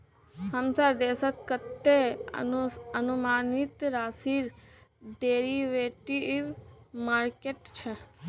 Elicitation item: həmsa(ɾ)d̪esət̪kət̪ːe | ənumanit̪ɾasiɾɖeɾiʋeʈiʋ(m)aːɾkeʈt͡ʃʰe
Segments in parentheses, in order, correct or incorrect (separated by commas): correct, correct